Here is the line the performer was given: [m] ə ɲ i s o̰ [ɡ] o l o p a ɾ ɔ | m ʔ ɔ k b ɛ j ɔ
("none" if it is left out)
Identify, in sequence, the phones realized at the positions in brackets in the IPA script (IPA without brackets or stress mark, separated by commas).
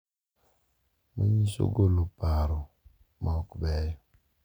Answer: m, ɡ